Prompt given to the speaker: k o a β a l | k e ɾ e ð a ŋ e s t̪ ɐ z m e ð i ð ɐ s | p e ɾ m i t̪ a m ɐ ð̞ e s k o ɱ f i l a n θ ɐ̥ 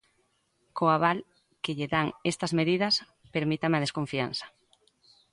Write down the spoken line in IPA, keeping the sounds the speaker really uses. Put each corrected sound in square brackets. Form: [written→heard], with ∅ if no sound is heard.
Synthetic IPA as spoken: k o a β a l | k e [ɾ→ʎ] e ð a ŋ e s t̪ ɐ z m e ð i ð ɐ s | p e ɾ m i t̪ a m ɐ ð̞ e s k o ɱ f i [l→∅] a n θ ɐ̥